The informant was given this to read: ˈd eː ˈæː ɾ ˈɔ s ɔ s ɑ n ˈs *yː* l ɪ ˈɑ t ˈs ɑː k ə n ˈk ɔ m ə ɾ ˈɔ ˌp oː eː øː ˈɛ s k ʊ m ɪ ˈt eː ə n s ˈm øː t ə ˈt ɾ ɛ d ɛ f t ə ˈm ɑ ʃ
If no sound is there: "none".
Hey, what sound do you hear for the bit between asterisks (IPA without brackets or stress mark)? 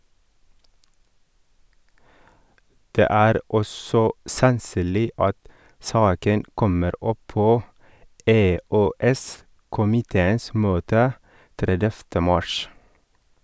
yː